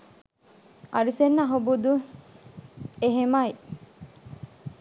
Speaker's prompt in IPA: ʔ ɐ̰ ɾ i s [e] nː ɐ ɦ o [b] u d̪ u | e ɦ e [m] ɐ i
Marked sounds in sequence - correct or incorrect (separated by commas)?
correct, correct, correct